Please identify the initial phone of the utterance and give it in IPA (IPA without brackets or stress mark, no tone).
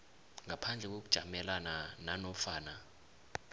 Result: ŋ